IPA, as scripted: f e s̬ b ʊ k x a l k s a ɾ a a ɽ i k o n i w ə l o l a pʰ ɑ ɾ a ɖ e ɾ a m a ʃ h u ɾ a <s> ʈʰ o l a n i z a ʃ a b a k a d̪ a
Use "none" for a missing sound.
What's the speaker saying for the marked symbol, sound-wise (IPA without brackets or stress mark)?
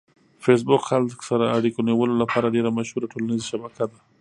none